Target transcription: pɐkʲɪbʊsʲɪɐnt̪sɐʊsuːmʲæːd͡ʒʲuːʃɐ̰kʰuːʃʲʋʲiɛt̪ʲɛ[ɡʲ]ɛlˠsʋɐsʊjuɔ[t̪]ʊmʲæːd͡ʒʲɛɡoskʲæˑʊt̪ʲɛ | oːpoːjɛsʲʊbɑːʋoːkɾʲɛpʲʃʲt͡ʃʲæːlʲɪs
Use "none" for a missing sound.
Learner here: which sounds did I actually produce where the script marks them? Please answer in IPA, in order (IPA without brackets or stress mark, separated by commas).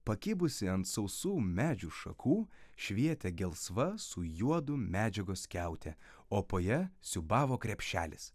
ɡʲ, d̪